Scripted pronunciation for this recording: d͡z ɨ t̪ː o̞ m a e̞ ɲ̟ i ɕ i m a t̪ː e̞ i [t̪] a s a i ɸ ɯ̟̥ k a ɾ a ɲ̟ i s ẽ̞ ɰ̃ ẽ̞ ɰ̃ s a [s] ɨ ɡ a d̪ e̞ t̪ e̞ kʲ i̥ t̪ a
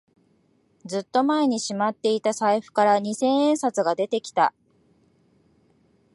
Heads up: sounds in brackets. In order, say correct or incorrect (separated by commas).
correct, incorrect